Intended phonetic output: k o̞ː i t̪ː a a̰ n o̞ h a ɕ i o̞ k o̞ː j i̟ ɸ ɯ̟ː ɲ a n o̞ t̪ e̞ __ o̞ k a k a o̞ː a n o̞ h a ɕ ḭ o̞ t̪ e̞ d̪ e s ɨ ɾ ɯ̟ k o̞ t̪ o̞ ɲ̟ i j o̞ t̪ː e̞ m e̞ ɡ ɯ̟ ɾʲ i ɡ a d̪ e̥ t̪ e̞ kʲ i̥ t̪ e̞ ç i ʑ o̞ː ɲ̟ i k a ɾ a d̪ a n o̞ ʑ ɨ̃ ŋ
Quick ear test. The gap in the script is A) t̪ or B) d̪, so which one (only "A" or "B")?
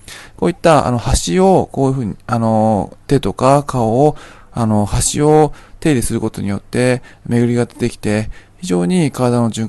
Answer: A